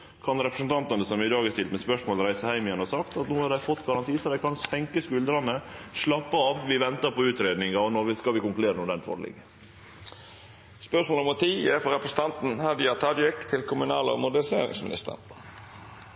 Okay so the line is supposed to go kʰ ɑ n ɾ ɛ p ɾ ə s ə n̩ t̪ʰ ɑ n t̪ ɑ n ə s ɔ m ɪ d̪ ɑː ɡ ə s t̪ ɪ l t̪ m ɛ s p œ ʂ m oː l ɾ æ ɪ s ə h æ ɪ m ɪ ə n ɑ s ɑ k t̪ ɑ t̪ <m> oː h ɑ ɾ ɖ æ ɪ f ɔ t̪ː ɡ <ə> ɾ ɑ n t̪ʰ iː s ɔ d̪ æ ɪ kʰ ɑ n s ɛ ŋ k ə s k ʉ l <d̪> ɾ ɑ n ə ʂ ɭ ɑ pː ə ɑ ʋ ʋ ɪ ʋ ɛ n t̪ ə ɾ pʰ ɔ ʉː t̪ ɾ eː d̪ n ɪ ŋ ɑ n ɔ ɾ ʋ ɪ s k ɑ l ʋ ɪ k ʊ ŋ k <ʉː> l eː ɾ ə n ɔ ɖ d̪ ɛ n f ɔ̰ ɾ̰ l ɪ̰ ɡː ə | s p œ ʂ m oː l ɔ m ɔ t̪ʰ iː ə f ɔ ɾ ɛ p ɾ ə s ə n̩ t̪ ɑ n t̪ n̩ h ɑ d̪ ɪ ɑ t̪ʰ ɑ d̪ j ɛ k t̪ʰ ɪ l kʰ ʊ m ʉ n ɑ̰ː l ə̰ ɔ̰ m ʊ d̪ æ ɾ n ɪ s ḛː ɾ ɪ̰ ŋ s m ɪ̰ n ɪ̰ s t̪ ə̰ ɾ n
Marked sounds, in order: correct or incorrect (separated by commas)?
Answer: incorrect, incorrect, correct, incorrect